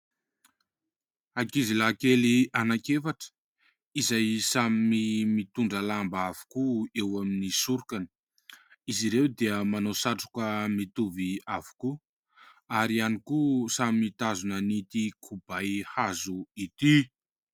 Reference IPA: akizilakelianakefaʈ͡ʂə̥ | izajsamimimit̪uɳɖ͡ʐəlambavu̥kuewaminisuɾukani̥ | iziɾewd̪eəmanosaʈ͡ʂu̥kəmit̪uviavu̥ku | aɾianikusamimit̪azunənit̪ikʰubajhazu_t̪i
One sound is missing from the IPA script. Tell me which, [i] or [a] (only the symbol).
i